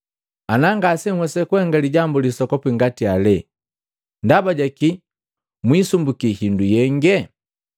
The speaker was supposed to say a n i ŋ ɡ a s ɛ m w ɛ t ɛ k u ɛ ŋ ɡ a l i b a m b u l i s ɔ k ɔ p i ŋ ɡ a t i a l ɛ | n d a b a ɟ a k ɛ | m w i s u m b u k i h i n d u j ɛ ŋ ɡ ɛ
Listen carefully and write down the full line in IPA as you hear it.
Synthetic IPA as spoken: a n a ŋ ɡ a s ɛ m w ɛ s ɛ k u ɛ ŋ ɡ a l i ɟ a m b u l i s ɔ k ɔ p i ŋ ɡ a t i a l ɛ | n d a b a ɟ a k i | m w i s u m b u k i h i n d u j ɛ ŋ ɡ ɛ